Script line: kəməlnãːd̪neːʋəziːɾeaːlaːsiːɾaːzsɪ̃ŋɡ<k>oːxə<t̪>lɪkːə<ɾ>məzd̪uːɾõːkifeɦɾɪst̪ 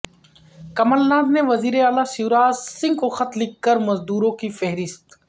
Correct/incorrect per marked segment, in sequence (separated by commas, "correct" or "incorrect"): correct, correct, correct